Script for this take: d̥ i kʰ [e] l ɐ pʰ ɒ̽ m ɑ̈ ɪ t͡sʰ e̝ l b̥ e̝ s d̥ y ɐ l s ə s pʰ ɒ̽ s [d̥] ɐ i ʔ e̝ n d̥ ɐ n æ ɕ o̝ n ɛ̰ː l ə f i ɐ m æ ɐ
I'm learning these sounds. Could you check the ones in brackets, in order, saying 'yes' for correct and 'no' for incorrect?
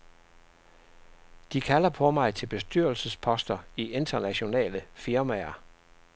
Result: no, yes

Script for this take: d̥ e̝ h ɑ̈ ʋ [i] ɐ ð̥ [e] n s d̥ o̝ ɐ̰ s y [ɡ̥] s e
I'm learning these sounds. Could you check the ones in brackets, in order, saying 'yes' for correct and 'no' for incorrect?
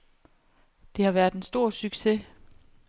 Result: no, yes, yes

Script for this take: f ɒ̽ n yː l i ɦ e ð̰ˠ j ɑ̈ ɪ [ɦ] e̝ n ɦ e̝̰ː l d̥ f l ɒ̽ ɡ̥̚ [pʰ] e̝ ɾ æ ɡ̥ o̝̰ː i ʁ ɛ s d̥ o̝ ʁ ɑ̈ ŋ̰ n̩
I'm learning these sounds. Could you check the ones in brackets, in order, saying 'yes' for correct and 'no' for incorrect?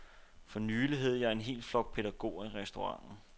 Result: no, yes

